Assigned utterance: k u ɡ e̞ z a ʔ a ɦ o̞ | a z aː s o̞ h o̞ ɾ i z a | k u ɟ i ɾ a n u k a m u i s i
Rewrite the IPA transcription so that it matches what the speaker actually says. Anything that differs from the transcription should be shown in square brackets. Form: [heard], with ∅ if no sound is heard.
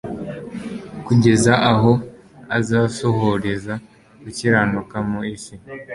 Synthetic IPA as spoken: k u [ɟ] e̞ z a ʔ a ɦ o̞ | a z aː s o̞ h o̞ ɾ [e] z a | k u [c] i ɾ a n u k a m u i s i